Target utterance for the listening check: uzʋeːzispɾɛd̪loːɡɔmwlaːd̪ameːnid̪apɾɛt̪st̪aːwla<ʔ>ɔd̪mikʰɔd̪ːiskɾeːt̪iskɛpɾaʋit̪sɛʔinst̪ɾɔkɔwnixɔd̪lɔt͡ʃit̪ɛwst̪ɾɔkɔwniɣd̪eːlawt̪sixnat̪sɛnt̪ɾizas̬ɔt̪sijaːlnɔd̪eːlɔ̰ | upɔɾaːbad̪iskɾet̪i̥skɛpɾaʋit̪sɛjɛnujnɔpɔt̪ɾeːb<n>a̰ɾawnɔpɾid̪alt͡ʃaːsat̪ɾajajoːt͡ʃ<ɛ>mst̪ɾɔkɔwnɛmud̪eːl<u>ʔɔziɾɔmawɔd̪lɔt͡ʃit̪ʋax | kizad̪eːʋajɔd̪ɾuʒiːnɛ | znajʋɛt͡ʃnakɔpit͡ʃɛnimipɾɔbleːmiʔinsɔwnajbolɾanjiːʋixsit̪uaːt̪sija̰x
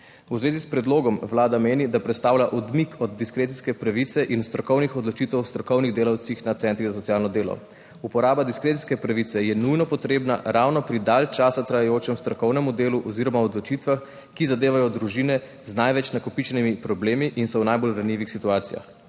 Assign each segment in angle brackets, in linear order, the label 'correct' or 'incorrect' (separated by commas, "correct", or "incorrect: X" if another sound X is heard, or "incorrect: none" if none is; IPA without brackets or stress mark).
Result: correct, correct, correct, correct